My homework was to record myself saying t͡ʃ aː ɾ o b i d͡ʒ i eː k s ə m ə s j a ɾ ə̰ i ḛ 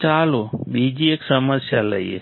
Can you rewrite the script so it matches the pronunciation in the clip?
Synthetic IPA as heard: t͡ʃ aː l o b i d͡ʒ i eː k s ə m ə s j a l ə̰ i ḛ